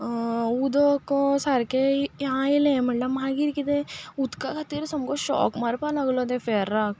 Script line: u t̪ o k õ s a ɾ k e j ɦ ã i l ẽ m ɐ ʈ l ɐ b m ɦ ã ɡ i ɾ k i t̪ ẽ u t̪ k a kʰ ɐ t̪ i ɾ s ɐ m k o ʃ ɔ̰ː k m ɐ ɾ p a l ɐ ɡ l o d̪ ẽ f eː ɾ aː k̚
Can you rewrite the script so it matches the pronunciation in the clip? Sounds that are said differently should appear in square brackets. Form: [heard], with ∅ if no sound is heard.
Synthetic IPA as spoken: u [d̪] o k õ s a ɾ k e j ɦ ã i l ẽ m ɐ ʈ l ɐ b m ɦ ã ɡ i ɾ k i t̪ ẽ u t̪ k a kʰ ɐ t̪ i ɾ s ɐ m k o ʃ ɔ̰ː k m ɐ ɾ p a l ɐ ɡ l o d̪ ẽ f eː ɾ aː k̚